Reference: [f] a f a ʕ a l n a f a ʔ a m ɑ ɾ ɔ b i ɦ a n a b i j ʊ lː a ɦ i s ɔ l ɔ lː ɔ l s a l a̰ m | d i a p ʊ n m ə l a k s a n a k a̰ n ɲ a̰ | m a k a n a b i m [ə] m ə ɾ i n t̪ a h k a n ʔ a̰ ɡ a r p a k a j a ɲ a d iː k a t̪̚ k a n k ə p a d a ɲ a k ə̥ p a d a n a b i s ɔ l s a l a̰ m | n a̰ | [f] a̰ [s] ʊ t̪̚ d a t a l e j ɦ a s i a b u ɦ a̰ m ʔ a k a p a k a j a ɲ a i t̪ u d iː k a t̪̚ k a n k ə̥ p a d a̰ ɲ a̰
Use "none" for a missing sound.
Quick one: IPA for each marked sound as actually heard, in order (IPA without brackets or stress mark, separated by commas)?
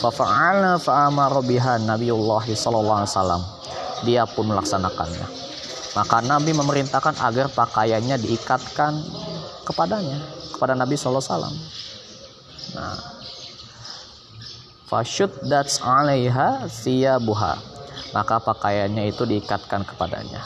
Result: f, ə, f, ʃ